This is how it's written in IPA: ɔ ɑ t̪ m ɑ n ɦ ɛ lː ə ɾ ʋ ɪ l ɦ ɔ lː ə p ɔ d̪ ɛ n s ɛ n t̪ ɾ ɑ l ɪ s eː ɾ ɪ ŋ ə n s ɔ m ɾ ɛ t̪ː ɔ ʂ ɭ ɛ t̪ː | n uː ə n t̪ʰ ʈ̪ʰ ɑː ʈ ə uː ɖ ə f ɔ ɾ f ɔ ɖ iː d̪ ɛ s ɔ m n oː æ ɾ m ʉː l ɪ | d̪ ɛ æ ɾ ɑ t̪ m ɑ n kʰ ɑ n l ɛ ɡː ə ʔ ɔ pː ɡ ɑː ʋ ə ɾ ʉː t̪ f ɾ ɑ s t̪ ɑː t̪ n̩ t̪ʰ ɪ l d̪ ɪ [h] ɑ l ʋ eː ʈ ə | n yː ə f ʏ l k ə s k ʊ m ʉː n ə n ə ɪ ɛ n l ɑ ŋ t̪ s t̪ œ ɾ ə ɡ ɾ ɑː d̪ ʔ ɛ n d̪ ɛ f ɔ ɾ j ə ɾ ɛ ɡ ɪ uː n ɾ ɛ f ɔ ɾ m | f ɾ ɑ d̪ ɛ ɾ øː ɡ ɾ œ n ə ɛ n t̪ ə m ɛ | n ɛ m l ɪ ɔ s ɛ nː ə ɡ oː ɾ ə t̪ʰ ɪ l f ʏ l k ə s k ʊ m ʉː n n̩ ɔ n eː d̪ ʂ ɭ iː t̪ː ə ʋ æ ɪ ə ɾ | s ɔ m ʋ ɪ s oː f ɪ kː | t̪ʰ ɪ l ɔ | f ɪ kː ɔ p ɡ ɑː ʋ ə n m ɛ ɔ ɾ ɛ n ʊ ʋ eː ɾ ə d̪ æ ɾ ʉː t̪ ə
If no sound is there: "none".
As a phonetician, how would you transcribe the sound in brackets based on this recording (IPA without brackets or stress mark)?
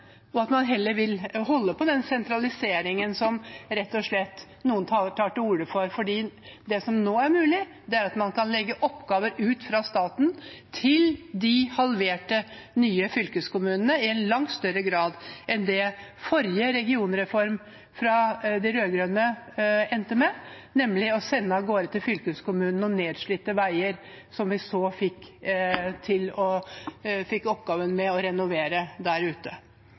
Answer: h